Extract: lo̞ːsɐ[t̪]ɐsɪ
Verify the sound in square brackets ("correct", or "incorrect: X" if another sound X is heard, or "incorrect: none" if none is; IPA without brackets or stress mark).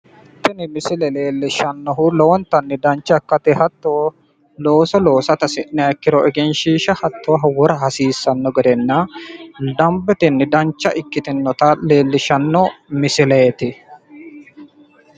correct